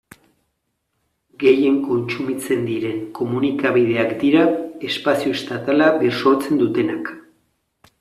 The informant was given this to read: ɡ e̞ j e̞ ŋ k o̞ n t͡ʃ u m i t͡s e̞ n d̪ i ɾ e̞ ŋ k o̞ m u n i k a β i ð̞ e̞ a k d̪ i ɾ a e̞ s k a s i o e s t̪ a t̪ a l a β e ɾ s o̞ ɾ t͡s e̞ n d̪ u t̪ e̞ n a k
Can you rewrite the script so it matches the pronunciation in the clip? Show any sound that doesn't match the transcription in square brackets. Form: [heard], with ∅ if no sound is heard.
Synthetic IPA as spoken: ɡ e̞ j e̞ ŋ k o̞ n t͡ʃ u m i t͡s e̞ n d̪ i ɾ e̞ ŋ k o̞ m u n i k a β i ð̞ e̞ a k d̪ i ɾ a e̞ s [p] a s i o e s t̪ a t̪ a l a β e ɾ s o̞ ɾ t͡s e̞ n d̪ u t̪ e̞ n a k

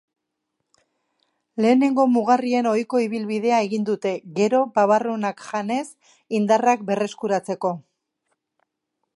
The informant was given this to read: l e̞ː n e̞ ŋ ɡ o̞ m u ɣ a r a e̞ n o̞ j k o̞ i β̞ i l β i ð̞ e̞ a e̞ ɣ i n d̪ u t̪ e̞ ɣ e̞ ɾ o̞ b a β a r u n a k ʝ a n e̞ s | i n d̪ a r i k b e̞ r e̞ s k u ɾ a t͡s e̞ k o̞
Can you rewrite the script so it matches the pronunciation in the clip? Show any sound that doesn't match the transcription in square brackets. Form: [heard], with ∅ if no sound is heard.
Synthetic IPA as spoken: l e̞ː n e̞ ŋ ɡ o̞ m u ɣ a r [i] e̞ n o̞ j k o̞ i β̞ i l β i ð̞ e̞ a e̞ ɣ i n d̪ u t̪ e̞ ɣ e̞ ɾ o̞ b a β a r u n a k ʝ a n e̞ s | i n d̪ a r [a] k b e̞ r e̞ s k u ɾ a t͡s e̞ k o̞

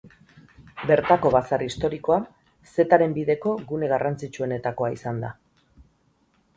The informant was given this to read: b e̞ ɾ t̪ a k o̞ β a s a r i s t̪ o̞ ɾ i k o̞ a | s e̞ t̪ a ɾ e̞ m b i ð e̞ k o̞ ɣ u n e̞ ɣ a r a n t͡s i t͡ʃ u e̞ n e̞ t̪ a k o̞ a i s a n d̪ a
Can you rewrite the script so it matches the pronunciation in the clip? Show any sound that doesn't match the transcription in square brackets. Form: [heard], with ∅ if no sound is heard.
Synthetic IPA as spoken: b e̞ ɾ t̪ a k o̞ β a s a r i s t̪ o̞ ɾ i k o̞ a | s e̞ t̪ a ɾ e̞ m b i ð e̞ k o̞ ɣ u n e̞ ɣ a r a n t͡s i t͡ʃ u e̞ n e̞ t̪ a k o̞ a i s a n d̪ a

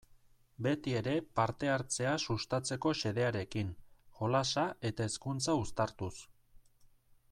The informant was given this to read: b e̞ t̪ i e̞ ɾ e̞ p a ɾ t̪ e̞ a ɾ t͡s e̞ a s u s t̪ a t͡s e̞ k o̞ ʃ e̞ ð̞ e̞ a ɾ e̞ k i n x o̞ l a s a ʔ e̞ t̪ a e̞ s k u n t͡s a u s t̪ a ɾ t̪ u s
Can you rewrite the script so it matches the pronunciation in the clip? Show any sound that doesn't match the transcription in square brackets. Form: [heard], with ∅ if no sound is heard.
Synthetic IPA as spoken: b e̞ t̪ i e̞ ɾ e̞ p a ɾ t̪ e̞ a ɾ t͡s e̞ a s u s t̪ a t͡s e̞ k o̞ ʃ e̞ ð̞ e̞ a ɾ e̞ k i n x o̞ l a s a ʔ e̞ t̪ a e̞ s k u n t͡s a u s t̪ a ɾ t̪ u s

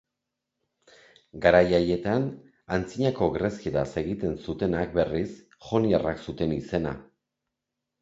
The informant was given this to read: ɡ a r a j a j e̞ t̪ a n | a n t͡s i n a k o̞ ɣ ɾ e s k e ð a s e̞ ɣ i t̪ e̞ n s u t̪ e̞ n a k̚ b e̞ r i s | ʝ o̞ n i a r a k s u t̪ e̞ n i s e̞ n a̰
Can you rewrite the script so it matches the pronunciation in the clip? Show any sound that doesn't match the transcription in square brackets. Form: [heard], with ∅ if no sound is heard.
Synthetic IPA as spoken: ɡ a [ɾ] a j a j e̞ t̪ a n | a n t͡s i [ɲ] a k o̞ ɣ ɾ e s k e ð a s e̞ ɣ i t̪ e̞ n s u t̪ e̞ n a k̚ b e̞ r i s | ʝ o̞ n i a r a k s u t̪ e̞ n i s e̞ n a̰

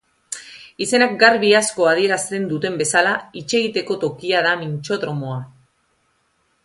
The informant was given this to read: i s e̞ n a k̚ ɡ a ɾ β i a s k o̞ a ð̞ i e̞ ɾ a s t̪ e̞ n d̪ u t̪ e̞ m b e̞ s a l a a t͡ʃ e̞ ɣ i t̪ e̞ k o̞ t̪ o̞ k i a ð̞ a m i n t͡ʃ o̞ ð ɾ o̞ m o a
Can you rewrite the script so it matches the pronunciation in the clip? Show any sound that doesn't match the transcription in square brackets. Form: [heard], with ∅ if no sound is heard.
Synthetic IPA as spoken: i s e̞ n a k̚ ɡ a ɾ β i a s k o̞ a ð̞ i e̞ ɾ a s t̪ e̞ n d̪ u t̪ e̞ m b e̞ s a l a [i] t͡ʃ e̞ ɣ i t̪ e̞ k o̞ t̪ o̞ k i a ð̞ a m i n t͡ʃ o̞ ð ɾ o̞ m o a

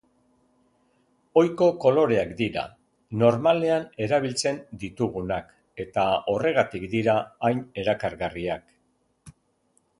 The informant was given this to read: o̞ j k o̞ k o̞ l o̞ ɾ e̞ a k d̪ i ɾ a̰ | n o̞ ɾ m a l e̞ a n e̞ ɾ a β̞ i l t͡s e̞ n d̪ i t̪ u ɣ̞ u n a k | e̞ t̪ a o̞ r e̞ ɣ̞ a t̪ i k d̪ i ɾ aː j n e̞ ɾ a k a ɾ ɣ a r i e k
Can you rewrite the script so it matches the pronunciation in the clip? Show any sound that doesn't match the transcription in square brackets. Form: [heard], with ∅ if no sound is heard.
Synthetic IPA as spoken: o̞ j k o̞ k o̞ l o̞ ɾ e̞ a k d̪ i ɾ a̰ | n o̞ ɾ m a l e̞ a n e̞ ɾ a β̞ i l t͡s e̞ n d̪ i t̪ u ɣ̞ u n a k | e̞ t̪ a o̞ r e̞ ɣ̞ a t̪ i k d̪ i ɾ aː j n e̞ ɾ a k a ɾ ɣ a r i [a] k

